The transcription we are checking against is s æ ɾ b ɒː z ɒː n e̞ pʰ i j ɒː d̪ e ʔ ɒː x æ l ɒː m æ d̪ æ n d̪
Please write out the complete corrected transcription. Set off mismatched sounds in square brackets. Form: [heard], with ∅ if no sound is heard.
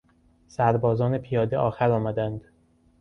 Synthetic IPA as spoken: s æ ɾ b ɒː z ɒː n e̞ pʰ i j ɒː d̪ e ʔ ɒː x æ [ɾ] ɒː m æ d̪ æ n d̪